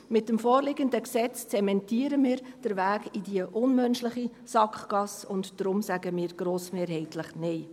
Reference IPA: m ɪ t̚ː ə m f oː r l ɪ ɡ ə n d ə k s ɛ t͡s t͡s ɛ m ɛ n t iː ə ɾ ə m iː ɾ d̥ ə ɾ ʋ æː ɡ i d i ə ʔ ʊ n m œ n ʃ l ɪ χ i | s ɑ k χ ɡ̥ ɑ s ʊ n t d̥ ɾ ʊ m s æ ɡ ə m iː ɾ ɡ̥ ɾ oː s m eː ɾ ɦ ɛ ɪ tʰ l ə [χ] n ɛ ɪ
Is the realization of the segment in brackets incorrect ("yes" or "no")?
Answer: no